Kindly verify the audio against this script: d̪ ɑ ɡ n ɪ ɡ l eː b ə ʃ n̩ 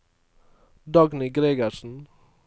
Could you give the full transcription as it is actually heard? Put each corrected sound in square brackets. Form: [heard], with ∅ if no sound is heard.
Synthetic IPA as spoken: d̪ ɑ ɡ n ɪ ɡ [ɾ] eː [ɡ] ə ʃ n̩